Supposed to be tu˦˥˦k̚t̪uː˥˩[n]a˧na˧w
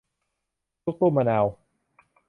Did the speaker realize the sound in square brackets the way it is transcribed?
no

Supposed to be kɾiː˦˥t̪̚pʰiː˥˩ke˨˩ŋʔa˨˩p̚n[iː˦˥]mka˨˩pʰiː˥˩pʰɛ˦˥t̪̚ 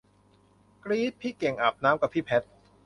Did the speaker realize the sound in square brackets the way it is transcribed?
no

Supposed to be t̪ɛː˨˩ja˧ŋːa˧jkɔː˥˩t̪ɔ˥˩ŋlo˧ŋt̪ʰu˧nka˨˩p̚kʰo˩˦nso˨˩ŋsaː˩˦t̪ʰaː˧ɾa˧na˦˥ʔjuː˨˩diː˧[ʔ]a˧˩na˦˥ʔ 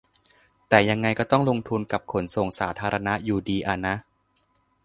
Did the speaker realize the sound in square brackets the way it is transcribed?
yes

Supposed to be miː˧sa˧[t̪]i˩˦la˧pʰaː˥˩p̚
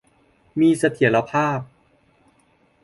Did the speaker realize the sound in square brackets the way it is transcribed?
no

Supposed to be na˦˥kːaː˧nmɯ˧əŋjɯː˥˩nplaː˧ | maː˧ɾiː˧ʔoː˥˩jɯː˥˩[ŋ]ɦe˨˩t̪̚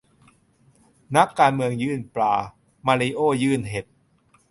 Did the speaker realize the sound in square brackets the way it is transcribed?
no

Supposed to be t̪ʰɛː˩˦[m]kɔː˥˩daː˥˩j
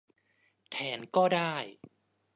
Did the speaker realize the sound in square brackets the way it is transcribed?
no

